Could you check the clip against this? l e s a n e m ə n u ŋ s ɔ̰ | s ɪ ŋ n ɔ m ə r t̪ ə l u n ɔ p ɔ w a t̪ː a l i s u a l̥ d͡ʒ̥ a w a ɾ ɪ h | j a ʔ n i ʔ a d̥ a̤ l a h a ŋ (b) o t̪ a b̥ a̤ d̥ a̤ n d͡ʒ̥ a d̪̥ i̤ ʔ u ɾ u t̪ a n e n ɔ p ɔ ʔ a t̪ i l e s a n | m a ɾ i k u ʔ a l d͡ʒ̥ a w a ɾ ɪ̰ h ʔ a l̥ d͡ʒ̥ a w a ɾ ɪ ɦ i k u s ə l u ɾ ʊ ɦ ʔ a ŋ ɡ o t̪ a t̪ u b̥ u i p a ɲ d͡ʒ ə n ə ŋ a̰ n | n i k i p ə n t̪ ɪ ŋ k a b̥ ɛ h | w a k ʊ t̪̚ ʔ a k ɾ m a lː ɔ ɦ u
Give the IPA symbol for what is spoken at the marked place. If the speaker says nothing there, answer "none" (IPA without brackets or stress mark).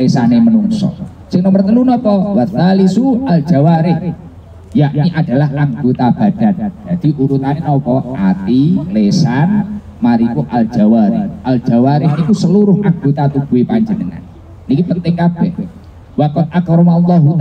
ɡ